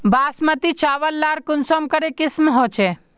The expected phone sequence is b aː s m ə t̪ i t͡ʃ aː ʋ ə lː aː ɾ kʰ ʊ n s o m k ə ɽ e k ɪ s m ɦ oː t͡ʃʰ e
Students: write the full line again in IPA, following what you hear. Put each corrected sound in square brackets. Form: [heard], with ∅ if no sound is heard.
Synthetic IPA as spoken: b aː s m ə t̪ i t͡ʃ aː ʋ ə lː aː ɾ [k] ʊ n s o m k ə [ɾ] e k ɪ s m ɦ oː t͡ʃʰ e